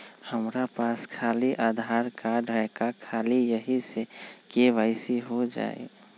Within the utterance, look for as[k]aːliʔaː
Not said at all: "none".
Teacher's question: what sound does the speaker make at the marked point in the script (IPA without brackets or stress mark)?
kʰ